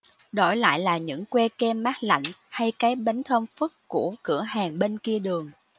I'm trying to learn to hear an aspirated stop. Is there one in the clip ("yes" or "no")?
yes